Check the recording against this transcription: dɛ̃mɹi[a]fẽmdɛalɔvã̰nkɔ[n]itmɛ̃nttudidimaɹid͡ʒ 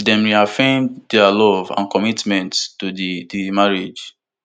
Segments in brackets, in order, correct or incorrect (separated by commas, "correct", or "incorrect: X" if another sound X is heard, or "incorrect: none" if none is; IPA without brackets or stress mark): correct, incorrect: m